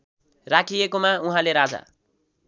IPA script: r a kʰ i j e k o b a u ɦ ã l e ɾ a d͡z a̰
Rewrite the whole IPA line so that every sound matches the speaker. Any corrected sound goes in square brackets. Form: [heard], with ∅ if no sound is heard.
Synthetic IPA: r a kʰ i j e k o [m] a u ɦ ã l e ɾ a d͡z a̰